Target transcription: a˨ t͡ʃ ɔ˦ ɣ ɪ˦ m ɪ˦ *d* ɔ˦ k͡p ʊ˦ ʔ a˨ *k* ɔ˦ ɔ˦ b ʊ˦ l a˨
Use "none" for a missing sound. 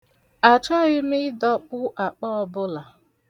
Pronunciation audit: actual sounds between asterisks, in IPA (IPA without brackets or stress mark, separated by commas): d, k͡p